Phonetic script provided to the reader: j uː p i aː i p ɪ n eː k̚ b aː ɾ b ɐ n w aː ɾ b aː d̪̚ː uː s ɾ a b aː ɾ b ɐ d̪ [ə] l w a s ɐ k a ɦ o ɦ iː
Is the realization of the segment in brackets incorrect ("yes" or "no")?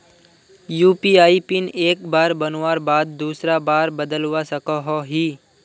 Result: no